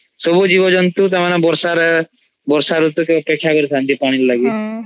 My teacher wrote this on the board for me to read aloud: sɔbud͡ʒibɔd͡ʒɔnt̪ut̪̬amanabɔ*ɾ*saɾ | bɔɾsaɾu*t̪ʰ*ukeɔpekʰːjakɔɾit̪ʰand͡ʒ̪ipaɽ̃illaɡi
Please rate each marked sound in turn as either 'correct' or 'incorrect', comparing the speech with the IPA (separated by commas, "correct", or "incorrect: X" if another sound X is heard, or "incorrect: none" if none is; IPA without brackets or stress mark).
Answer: correct, incorrect: t̪